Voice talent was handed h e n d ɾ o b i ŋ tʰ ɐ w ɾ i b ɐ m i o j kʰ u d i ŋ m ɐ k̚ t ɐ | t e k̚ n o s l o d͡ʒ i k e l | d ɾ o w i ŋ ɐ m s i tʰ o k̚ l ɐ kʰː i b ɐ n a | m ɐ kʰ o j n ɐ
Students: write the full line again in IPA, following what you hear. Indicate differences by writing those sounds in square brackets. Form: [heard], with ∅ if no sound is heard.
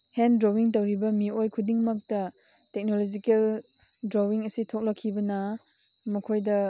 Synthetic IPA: h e n d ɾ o [w] i ŋ [t] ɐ w ɾ i b ɐ m i o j kʰ u d i ŋ m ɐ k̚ t ɐ | t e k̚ n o [∅] l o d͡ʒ i k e l | d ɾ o w i ŋ ɐ [∅] s i tʰ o k̚ l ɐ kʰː i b ɐ n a | m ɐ kʰ o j [d] ɐ